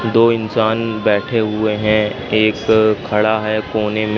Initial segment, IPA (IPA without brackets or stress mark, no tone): d̪